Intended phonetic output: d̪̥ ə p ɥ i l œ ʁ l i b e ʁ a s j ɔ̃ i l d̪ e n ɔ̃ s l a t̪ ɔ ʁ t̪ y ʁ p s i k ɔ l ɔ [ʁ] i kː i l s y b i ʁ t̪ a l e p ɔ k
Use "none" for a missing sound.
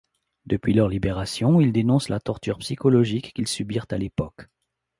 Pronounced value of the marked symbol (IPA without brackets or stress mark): ʒ